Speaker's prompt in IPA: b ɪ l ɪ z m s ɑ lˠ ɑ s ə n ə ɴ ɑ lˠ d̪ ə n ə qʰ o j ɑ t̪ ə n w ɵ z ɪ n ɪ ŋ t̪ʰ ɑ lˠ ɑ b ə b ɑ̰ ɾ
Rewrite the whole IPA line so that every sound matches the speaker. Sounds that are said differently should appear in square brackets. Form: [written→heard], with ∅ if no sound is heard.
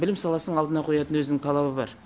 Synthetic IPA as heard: b ɪ l ɪ [z→∅] m s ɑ lˠ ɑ s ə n ə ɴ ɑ lˠ d̪ ə n [ə→ɑ] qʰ o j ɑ t̪ ə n w ɵ z ɪ n ɪ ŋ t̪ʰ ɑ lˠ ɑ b ə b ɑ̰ ɾ